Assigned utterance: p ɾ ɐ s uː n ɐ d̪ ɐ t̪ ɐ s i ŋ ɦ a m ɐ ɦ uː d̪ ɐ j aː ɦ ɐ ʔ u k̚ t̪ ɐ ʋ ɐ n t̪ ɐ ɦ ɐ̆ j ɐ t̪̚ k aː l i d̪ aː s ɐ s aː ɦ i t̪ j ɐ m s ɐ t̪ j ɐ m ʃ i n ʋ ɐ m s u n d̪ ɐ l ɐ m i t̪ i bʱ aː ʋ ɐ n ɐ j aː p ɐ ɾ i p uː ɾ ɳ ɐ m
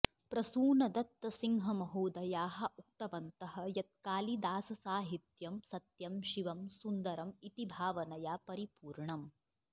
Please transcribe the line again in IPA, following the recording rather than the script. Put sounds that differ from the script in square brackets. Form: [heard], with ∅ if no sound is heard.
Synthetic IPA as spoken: p ɾ ɐ s uː n ɐ d̪ ɐ t̪ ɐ s i ŋ ɦ [ɐ] m ɐ ɦ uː d̪ ɐ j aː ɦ ɐ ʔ u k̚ t̪ ɐ ʋ ɐ n t̪ ɐ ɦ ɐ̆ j ɐ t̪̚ k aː l i d̪ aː s ɐ s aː ɦ i t̪ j ɐ m s ɐ t̪ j ɐ m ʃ i [∅] ʋ ɐ m s u n d̪ ɐ [ɾ] ɐ m i t̪ i bʱ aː ʋ ɐ n ɐ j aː p ɐ ɾ i p uː ɾ ɳ ɐ m